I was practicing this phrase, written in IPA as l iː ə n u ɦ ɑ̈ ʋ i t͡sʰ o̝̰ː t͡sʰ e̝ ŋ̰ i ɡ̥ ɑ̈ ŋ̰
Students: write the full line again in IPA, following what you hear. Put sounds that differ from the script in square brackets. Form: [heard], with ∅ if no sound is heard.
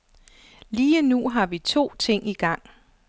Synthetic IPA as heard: l iː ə n u ɦ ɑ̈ ʋ i t͡sʰ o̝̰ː t͡sʰ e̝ ŋ̰ i ɡ̥ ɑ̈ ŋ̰